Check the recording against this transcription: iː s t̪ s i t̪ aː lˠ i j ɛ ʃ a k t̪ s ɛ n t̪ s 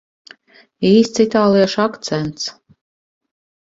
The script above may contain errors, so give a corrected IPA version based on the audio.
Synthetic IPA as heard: iː s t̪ s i t̪ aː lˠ i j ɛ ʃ a k t̪ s ɛ n t̪ s